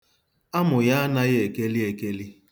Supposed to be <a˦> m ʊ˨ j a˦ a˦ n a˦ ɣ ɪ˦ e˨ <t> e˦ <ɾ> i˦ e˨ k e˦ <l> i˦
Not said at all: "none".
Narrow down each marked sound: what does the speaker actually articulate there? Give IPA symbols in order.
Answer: a˦, k, l, l

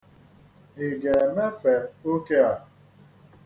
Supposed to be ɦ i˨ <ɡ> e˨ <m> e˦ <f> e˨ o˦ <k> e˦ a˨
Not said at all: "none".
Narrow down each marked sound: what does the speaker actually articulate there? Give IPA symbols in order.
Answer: ɡ, m, f, k

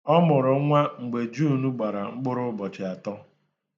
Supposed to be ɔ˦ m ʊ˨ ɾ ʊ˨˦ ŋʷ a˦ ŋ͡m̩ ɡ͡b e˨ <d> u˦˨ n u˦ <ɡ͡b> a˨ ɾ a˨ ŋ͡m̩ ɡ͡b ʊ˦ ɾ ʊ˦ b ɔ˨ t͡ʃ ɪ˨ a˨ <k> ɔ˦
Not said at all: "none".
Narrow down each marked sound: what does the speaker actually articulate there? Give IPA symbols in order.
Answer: d͡ʒ, ɡ͡b, t

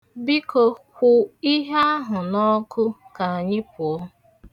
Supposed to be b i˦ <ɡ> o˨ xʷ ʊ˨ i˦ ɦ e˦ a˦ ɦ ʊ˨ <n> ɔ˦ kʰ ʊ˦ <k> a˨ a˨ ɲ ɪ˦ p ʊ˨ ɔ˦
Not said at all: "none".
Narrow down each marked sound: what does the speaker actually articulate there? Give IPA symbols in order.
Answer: k, n, k

